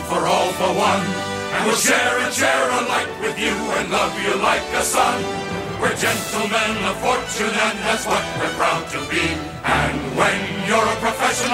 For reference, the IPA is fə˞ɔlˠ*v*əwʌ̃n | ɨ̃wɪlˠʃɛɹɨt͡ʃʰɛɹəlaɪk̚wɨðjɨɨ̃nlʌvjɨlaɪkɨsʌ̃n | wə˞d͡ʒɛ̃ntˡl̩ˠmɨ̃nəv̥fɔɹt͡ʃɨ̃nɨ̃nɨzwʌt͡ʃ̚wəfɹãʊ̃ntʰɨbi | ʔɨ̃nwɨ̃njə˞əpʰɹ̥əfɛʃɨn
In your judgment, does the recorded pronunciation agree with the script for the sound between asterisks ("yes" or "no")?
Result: no